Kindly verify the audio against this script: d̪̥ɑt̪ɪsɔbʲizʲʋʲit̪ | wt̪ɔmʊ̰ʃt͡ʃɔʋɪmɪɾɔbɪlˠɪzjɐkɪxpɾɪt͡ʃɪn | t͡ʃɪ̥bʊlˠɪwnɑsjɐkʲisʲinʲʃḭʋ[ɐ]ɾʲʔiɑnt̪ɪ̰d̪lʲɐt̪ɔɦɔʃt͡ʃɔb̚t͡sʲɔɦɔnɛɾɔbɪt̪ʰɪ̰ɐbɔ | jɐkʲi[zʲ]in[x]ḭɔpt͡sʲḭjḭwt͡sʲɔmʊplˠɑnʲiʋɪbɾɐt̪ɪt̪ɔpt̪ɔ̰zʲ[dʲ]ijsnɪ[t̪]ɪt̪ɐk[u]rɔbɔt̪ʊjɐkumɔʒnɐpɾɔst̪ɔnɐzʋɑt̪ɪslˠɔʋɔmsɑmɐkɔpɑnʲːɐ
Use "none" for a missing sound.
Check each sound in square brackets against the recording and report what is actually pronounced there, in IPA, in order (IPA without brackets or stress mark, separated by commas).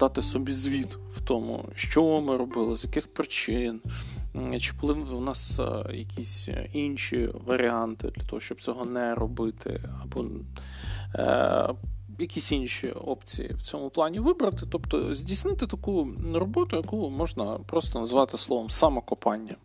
ɐ, sʲ, ʃ, dʲ, t̪, u